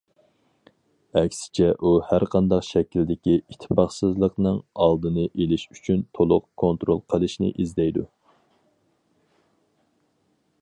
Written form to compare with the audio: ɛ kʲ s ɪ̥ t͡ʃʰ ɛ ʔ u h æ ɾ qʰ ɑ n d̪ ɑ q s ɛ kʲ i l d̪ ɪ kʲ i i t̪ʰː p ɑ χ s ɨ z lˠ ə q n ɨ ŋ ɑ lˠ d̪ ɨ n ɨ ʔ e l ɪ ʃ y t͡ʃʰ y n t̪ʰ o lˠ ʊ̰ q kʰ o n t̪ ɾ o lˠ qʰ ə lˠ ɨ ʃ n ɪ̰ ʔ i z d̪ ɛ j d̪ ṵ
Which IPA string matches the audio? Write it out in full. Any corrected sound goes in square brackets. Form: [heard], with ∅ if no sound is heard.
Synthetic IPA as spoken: ɛ kʲ s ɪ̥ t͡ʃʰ ɛ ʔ u h æ ɾ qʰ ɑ n d̪ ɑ q [ʃ] ɛ kʲ i l d̪ ɪ kʲ i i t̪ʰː p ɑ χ s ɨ z lˠ ə q n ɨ ŋ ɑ lˠ d̪ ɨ n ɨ ʔ e l ɪ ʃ y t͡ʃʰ y n t̪ʰ o lˠ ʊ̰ q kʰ o n t̪ ɾ o lˠ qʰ ə lˠ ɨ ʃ n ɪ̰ ʔ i z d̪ ɛ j d̪ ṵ